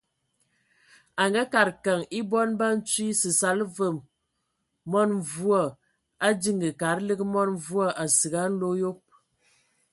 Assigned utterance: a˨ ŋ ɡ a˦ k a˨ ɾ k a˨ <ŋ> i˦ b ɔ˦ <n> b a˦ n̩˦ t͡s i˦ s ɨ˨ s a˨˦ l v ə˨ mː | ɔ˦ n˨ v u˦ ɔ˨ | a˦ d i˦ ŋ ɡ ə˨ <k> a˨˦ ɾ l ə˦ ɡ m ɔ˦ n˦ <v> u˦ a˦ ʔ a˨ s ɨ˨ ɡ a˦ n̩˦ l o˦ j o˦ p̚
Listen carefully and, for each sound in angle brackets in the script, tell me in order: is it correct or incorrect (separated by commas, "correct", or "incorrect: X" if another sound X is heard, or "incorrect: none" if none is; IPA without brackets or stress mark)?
correct, correct, correct, correct